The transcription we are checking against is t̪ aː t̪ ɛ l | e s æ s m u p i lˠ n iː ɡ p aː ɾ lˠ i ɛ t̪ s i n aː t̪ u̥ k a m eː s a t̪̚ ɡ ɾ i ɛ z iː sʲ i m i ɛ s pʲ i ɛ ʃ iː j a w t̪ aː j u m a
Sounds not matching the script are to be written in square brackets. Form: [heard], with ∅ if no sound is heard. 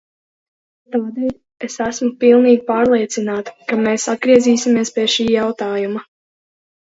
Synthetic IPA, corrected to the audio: t̪ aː [d̪] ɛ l | e s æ s m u p i lˠ n iː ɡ p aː ɾ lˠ i ɛ t̪ s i n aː t̪ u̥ k a m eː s a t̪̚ ɡ ɾ i ɛ z iː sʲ i m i ɛ s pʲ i ɛ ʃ iː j a w t̪ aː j u m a